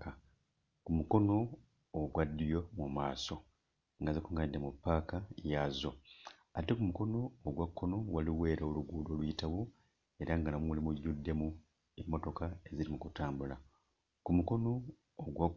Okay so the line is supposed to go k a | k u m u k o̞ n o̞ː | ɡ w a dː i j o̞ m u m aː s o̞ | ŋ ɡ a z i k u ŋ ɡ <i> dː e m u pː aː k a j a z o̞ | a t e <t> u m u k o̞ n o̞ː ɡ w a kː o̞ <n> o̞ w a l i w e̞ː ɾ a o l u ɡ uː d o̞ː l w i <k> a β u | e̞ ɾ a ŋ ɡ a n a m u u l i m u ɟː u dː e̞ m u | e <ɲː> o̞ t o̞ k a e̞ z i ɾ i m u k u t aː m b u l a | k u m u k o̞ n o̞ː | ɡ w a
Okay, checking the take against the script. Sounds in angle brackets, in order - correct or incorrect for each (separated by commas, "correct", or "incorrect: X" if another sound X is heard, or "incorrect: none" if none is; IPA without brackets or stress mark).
incorrect: a, incorrect: k, correct, incorrect: t, incorrect: mː